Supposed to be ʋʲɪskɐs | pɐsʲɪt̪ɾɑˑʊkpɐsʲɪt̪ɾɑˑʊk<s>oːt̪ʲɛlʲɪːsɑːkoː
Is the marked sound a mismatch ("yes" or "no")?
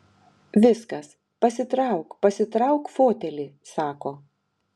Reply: yes